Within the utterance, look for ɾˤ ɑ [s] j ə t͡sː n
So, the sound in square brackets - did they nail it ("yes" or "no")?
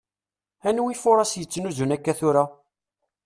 yes